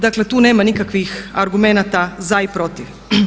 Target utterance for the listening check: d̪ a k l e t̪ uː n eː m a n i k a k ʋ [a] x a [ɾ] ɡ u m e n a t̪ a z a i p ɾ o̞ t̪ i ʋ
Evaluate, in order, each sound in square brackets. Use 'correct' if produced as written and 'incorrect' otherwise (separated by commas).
incorrect, correct